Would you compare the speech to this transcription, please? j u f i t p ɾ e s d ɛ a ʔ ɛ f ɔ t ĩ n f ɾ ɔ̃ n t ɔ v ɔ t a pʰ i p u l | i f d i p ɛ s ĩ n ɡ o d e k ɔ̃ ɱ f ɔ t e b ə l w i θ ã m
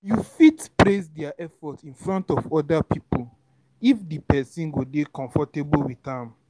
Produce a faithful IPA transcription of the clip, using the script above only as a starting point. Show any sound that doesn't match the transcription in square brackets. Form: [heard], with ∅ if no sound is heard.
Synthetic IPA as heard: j u f i t p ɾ e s d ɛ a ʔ ɛ f ɔ t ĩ n f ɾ ɔ̃ n t ɔ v ɔ [d] a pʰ i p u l | i f d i p ɛ s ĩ n ɡ o d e k ɔ̃ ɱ f ɔ t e b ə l w i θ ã m